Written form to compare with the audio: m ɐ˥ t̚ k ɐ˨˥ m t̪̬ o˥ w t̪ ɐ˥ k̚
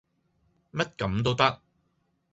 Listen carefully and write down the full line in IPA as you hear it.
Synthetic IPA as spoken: m ɐ˥ t̚ k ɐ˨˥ m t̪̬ o˥ w t̪ ɐ˥ k̚

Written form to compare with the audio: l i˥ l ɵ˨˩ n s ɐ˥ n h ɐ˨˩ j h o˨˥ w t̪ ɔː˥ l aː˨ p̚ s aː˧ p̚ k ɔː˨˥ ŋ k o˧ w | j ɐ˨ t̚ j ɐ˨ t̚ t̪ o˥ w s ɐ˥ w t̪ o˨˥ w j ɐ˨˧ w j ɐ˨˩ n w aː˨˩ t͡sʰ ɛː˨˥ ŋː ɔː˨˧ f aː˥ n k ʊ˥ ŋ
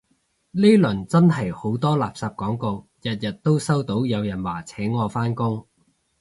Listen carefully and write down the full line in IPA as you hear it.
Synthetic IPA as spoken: l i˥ l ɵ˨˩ n t͡s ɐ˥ n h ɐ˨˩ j h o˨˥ w t̪ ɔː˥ l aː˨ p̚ s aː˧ p̚ k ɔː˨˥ ŋ k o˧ w | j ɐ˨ t̚ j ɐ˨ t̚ t̪ o˥ w s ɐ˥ w t̪ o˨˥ w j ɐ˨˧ w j ɐ˨˩ n w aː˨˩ t͡sʰ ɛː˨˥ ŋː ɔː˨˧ f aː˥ n k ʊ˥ ŋ

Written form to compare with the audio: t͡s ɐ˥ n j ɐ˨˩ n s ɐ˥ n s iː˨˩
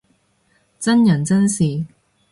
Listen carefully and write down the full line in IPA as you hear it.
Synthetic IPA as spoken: t͡s ɐ˥ n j ɐ˨˩ n t͡s ɐ˥ n s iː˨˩

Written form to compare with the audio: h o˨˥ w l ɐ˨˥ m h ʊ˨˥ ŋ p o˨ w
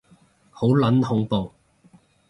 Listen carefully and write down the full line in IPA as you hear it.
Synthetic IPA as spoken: h o˨˥ w l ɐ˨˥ n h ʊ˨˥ ŋ p o˨ w

